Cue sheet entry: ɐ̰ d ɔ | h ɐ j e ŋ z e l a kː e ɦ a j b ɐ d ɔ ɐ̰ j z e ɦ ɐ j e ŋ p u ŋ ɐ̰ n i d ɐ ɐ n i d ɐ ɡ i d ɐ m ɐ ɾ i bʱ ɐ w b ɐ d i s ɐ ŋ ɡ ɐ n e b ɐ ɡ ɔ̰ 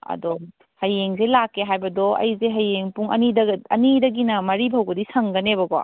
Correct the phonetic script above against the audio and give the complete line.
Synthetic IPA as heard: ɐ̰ d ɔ | h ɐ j e ŋ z e l a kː e ɦ a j b ɐ d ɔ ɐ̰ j z e ɦ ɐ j e ŋ p u ŋ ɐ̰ n i d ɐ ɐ n i d ɐ ɡ i n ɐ m ɐ ɾ i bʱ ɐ w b ɐ d i s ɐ ŋ ɡ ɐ n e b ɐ ɡ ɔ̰